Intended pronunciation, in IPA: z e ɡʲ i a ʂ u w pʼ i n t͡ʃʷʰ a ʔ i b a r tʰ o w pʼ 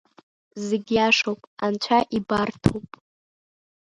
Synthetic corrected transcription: z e ɡʲ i a ʂ o w pʼ a n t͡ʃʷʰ a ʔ i b a r tʰ o w pʼ